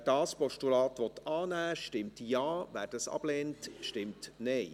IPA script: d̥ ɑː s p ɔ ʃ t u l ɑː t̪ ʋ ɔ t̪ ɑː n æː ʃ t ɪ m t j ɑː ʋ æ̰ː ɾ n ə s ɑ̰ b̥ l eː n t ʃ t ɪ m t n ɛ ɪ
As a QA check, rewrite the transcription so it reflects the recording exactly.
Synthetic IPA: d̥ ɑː s p ɔ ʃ t u l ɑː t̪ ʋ ɔ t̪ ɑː n æː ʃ t ɪ m t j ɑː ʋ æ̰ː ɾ d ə s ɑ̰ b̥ l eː n t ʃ t ɪ m t n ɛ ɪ